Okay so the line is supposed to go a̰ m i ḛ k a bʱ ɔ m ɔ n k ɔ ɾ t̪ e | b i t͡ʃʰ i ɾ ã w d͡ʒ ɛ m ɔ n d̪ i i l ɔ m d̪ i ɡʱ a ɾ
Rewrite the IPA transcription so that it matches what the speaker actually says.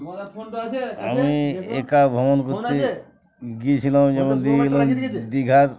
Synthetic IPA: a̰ m i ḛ k a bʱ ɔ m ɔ n k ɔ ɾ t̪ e | ɡ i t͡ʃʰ i l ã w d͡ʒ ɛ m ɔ n d̪ i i l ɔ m d̪ i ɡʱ a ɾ